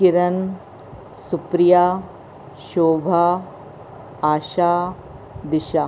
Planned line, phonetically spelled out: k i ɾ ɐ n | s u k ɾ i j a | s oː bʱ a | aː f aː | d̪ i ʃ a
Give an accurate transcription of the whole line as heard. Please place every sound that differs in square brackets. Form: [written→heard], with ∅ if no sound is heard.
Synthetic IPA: k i ɾ ɐ n | s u [k→p] ɾ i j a | [s→ʃ] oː bʱ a | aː [f→ʃ] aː | d̪ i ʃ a